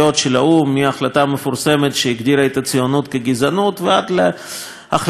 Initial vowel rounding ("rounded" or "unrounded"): rounded